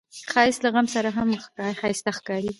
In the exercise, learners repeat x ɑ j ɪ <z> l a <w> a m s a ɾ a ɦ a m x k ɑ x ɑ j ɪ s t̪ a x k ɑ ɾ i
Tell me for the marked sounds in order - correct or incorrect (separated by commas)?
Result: incorrect, incorrect